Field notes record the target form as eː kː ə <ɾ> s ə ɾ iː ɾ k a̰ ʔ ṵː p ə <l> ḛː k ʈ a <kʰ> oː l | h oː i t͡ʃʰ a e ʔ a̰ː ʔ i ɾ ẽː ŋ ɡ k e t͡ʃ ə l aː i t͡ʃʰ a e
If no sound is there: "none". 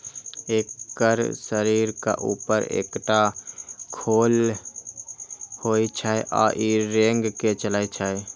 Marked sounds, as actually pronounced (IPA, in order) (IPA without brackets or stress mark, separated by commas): ɾ, ɾ, kʰ